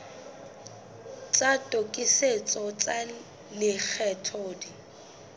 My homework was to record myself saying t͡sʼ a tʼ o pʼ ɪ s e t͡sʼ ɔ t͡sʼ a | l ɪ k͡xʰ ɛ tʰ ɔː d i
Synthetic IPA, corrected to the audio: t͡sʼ a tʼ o kʼ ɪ s e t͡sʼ ɔ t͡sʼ a | l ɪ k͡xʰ ɛ tʰ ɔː d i